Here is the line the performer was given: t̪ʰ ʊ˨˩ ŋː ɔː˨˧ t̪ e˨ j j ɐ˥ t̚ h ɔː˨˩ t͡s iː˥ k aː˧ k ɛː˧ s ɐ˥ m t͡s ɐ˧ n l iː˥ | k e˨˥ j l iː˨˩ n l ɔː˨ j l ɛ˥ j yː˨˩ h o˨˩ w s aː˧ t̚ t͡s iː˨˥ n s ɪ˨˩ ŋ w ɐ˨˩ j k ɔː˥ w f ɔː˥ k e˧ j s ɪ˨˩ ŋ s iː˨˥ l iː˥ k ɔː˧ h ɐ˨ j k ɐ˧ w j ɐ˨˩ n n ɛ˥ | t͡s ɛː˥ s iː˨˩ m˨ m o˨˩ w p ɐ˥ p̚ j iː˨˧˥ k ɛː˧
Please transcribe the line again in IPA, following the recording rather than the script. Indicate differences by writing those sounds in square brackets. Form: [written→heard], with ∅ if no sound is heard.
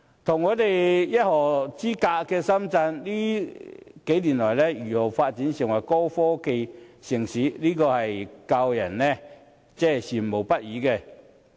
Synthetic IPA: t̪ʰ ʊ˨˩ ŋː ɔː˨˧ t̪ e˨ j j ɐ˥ t̚ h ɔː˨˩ t͡s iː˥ k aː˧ k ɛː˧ s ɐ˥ m t͡s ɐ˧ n l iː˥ | k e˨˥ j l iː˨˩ n l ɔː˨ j l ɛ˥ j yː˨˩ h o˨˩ w [s→f] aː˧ t̚ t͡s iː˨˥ n s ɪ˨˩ ŋ w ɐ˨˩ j k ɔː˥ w f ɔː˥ k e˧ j s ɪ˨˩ ŋ s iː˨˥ l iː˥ k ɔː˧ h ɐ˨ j k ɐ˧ w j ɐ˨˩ n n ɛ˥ | t͡s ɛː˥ s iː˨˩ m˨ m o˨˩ w p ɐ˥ [p̚→t̚] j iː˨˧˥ k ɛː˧